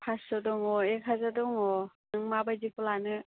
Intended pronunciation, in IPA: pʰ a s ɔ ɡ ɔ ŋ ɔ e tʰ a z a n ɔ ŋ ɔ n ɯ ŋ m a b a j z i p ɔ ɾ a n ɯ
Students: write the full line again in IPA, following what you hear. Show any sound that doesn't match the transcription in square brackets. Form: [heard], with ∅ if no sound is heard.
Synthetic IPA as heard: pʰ a s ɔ [d] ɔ ŋ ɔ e [kʰ] a z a [d] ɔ ŋ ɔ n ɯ ŋ m a b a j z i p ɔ [l] a n ɯ